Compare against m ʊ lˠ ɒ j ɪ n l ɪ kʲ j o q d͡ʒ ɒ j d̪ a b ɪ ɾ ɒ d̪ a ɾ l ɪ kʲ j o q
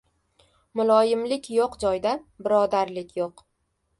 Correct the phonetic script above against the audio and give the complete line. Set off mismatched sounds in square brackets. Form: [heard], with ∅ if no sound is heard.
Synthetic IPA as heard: m ʊ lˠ ɒ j ɪ [m] l ɪ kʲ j o q d͡ʒ ɒ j d̪ a b ɪ ɾ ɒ d̪ a ɾ l ɪ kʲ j o q